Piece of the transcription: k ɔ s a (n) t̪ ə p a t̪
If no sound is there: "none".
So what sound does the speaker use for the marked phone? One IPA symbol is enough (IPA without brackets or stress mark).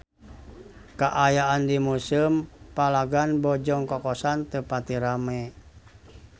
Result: n